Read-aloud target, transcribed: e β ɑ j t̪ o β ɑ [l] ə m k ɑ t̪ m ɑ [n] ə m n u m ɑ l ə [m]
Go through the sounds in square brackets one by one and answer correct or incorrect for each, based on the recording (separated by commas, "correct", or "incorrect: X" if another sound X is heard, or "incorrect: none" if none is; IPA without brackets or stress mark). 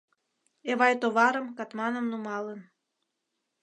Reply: incorrect: ɾ, correct, incorrect: n